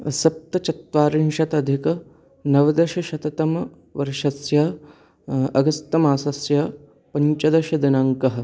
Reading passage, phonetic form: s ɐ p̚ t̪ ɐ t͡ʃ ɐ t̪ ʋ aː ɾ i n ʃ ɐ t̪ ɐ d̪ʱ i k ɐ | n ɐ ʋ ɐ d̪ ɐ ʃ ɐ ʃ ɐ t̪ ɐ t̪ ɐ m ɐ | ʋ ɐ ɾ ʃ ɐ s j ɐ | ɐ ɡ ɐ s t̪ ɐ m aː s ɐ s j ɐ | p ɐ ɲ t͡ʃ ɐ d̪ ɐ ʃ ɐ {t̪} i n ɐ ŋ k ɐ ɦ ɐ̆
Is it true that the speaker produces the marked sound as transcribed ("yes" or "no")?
no